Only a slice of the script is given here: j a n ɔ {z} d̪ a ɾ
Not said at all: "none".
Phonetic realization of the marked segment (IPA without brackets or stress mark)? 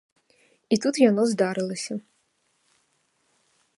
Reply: z